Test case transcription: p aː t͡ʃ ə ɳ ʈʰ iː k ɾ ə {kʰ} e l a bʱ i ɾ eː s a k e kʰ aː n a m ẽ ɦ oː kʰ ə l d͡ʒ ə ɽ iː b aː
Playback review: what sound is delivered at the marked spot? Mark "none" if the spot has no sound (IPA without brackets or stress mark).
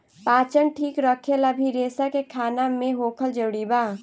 kʰ